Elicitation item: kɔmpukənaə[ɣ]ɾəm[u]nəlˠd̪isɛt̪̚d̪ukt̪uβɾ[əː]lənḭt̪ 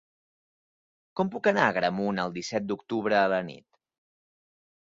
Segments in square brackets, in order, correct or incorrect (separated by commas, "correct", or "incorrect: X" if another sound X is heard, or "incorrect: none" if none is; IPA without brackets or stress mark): correct, correct, correct